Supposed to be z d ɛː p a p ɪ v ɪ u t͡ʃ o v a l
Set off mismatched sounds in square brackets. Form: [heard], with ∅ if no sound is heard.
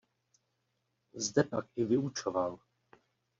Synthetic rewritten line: z d [ɛ] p a [k] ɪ v ɪ u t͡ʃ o v a l